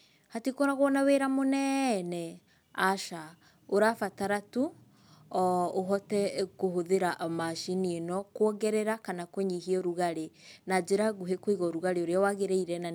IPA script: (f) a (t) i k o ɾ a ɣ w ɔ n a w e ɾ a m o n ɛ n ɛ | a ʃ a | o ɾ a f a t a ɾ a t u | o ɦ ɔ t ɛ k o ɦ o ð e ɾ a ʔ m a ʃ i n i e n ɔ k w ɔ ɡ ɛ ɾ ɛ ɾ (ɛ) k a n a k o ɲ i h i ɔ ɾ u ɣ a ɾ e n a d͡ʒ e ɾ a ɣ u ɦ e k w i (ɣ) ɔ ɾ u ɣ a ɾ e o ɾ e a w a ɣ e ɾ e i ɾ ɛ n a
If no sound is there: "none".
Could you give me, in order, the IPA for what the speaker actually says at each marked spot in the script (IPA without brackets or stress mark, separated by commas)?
h, t, a, ɣ